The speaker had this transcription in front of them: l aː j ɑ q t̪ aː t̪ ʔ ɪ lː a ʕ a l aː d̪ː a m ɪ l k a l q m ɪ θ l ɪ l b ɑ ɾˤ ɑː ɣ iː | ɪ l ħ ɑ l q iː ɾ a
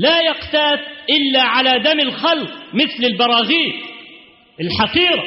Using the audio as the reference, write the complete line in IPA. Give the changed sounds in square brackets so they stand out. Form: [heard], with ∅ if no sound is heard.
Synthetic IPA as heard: l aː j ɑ q t̪ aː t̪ ʔ ɪ lː a ʕ a l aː [d̪] a m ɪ l [x] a l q m ɪ θ l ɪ l b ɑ ɾˤ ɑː ɣ iː | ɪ l ħ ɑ [∅] q iː ɾ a